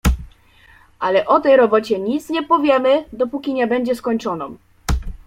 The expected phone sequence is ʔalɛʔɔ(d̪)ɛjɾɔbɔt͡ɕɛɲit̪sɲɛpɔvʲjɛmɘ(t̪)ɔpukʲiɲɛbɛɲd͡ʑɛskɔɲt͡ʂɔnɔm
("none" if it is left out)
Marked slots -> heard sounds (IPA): t̪, d̪

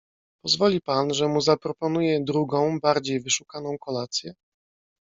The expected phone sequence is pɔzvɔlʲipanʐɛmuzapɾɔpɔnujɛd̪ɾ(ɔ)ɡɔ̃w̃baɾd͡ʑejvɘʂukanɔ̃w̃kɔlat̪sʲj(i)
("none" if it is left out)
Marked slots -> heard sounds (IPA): u, ɛ

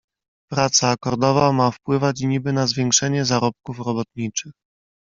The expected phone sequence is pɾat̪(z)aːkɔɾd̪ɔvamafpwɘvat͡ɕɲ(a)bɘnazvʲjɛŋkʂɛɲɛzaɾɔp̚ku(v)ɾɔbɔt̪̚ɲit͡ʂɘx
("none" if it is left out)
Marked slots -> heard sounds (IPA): s, i, f

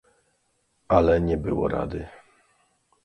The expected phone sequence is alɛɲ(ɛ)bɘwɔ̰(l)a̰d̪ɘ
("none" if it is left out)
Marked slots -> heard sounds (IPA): ɛ, ɾ

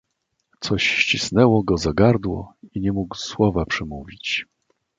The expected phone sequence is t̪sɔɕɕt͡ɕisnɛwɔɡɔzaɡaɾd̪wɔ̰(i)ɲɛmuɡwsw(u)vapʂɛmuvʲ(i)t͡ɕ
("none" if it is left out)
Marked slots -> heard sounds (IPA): i, ɔ, i

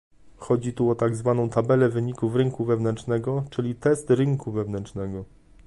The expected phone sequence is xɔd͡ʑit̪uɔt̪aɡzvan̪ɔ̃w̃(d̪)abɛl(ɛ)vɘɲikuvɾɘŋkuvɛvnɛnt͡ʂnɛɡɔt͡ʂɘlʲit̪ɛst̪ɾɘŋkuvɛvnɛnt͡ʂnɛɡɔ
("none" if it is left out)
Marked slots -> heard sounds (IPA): t̪, ɛ

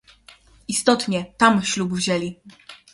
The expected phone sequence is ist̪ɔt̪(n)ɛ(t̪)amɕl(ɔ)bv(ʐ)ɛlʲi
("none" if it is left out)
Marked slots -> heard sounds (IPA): ɲ, t̪, u, ʑ

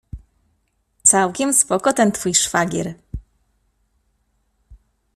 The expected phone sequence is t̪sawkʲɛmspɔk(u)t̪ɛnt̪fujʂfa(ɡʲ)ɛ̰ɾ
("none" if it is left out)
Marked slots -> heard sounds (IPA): ɔ, ɡʲ

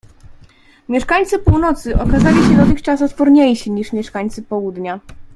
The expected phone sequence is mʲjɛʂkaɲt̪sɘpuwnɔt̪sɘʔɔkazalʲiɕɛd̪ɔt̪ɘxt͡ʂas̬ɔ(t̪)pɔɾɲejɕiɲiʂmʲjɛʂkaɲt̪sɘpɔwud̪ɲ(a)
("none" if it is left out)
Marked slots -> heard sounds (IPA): t̪, a

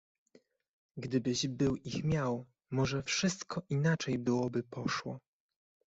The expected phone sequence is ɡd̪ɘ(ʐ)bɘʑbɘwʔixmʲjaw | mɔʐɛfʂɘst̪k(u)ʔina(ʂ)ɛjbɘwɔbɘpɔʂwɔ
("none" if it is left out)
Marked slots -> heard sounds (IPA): none, ɔ, t͡ʂ

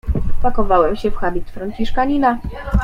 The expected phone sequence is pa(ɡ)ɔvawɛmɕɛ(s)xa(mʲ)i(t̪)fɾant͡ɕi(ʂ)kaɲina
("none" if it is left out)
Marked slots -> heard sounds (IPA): k, f, bʲ, t̪, ʂ

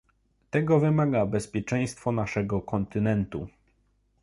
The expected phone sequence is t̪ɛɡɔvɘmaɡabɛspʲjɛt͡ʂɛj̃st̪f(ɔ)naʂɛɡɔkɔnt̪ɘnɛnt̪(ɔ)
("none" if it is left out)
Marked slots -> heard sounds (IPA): ɔ, u

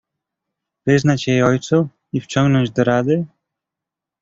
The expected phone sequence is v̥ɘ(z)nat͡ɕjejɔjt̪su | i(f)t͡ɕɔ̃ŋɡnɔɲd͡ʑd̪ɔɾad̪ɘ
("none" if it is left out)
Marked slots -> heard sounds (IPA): z, f

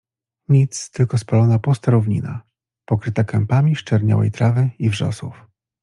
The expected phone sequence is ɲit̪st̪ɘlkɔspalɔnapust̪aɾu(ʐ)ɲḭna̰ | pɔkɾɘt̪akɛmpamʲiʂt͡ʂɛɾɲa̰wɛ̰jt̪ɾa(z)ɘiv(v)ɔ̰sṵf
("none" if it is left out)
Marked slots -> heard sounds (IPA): v, v, ʐ

